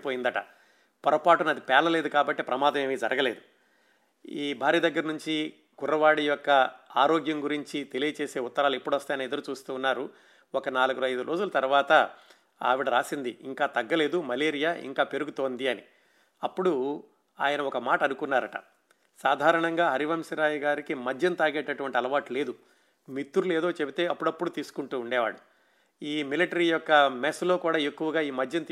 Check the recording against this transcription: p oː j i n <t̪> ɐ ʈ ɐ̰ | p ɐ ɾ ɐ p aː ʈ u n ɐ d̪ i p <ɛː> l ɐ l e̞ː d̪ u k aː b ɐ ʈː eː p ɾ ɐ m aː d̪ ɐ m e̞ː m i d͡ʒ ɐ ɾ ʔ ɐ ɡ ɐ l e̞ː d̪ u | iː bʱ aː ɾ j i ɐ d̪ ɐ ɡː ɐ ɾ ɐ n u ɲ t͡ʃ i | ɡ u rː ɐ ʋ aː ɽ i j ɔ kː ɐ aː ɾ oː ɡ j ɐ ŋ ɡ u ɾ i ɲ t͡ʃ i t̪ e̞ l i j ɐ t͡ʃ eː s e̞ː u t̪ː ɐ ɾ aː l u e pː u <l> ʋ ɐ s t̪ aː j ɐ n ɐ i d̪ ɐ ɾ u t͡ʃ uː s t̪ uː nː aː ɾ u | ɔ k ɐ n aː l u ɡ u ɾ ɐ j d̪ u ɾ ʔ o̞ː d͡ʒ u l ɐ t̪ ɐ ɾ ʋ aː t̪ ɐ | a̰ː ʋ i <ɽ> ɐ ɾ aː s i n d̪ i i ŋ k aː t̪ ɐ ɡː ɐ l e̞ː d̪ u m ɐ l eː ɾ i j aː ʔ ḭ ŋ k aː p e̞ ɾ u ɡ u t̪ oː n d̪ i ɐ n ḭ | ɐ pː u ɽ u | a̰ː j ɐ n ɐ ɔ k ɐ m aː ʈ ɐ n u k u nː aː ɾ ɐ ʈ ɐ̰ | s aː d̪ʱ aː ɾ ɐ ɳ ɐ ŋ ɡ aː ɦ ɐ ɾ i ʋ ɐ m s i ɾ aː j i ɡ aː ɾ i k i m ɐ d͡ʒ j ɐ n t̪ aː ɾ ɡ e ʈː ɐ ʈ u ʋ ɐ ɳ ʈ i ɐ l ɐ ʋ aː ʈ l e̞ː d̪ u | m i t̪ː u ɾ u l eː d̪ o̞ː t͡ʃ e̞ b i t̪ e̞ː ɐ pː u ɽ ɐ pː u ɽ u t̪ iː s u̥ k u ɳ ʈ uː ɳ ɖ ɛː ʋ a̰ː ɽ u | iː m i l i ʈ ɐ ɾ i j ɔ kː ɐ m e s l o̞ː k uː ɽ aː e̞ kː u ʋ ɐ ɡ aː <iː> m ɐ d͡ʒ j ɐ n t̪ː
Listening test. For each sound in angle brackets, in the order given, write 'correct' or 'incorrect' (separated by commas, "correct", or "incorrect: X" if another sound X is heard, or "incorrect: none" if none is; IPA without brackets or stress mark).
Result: incorrect: d̪, correct, incorrect: ɽ, correct, correct